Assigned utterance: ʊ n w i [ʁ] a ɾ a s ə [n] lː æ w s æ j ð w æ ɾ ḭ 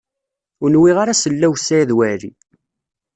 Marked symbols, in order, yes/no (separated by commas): yes, no